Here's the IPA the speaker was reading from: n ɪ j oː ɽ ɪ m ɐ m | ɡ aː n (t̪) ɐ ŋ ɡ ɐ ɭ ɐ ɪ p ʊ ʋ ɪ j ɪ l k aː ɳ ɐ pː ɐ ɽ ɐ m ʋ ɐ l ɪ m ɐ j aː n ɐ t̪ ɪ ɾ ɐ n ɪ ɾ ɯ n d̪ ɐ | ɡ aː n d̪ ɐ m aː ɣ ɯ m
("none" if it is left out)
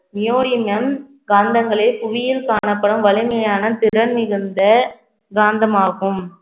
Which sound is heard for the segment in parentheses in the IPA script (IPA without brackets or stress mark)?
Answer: d̪